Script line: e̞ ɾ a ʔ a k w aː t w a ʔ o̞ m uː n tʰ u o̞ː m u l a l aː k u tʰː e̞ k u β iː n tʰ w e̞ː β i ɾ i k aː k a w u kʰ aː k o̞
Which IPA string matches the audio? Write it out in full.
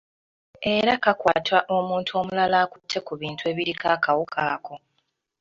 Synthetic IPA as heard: e̞ ɾ a k a k w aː t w a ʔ o̞ m uː n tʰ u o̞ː m u l a l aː k u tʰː e̞ k u β iː n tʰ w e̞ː β i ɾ i k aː k a w u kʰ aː k o̞